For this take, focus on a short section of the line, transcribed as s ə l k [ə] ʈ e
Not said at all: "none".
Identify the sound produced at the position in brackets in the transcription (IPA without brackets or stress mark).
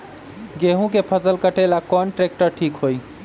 ə